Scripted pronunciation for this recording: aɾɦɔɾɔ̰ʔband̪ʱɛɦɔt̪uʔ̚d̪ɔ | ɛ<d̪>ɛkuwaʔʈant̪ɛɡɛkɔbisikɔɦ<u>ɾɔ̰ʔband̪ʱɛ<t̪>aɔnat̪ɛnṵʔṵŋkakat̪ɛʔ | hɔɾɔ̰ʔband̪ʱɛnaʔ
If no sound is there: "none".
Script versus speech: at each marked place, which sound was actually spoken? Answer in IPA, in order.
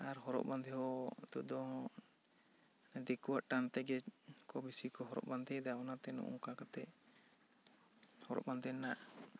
d̪, ɔ, d̪

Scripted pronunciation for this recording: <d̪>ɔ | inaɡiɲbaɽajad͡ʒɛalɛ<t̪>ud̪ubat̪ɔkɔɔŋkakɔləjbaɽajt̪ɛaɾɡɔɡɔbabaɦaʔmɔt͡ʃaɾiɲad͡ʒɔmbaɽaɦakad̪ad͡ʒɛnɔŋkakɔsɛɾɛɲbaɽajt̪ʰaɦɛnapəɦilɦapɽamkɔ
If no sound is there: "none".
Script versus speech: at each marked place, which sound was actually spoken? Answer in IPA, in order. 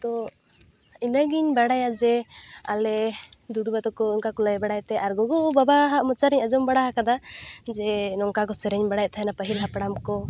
t̪, d̪

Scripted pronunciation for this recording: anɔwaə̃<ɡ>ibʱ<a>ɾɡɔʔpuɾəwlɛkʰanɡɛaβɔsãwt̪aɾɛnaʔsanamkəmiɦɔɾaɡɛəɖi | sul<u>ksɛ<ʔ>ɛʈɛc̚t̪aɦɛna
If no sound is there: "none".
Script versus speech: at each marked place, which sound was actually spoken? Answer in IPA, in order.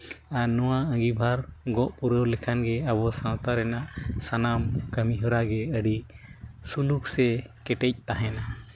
ɡ, a, u, k

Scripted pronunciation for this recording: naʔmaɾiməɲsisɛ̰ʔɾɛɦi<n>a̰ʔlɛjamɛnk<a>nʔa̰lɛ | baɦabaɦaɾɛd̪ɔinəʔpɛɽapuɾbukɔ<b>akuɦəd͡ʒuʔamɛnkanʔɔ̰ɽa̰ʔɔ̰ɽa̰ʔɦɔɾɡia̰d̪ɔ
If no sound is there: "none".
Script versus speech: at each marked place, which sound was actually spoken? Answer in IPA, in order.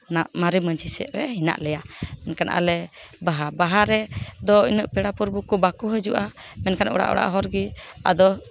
n, a, b

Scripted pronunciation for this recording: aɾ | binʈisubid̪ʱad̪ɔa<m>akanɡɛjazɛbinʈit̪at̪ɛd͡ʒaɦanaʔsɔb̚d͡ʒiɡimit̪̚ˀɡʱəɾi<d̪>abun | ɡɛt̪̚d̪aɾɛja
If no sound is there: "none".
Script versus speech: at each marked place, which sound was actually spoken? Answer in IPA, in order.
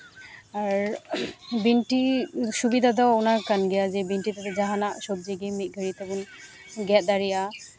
n, t̪

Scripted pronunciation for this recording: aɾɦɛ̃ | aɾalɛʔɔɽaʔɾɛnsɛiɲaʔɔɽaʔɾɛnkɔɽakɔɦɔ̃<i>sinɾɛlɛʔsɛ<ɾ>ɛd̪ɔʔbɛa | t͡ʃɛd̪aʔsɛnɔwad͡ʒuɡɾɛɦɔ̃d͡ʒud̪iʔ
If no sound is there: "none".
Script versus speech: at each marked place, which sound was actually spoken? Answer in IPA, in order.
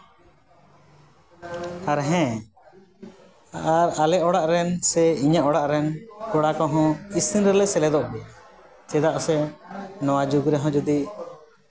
i, l

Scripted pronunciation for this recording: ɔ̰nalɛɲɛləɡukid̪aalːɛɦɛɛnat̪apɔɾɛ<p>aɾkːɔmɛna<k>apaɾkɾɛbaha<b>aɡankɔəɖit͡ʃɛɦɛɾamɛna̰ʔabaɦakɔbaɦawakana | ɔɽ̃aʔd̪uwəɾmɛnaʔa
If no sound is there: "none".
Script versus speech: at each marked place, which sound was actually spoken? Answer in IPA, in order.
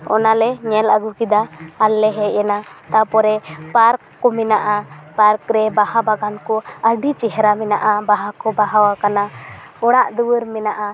p, ʔ, b

